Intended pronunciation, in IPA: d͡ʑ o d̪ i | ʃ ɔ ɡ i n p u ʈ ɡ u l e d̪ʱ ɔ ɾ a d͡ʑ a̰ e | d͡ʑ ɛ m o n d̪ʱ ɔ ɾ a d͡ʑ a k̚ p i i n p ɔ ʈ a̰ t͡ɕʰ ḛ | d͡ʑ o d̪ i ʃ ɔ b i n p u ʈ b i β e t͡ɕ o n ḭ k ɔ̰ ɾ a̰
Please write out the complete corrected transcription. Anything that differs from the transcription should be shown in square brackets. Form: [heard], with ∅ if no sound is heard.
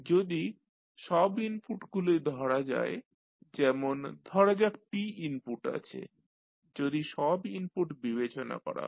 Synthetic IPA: d͡ʑ o d̪ i | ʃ ɔ [b] i n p u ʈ ɡ u l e d̪ʱ ɔ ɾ a d͡ʑ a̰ e | d͡ʑ ɛ m o n d̪ʱ ɔ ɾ a d͡ʑ a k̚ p i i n p [u] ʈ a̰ t͡ɕʰ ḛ | d͡ʑ o d̪ i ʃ ɔ b i n p u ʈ b i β e t͡ɕ o n [a̰] k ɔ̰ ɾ a̰